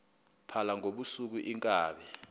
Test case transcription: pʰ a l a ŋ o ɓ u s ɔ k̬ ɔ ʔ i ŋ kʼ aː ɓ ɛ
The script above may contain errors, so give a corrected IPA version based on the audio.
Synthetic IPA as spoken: pʰ a l a ŋ o ɓ u s u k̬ u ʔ i ŋ kʼ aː ɓ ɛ